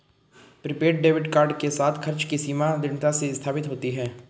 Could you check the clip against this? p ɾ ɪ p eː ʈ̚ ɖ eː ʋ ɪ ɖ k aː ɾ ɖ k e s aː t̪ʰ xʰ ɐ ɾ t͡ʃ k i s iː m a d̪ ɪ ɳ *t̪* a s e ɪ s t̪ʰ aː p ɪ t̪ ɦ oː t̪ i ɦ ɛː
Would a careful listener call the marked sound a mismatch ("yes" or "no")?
no